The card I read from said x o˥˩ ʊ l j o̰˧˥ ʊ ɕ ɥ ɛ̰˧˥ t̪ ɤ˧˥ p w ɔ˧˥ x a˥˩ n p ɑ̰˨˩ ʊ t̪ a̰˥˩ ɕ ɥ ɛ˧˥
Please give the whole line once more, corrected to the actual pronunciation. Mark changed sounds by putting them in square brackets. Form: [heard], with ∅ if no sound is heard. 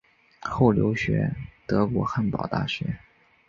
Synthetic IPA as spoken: x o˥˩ ʊ l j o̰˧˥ ʊ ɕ ɥ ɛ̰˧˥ t̪ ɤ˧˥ [k] w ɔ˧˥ x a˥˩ n p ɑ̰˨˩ ʊ t̪ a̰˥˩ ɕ ɥ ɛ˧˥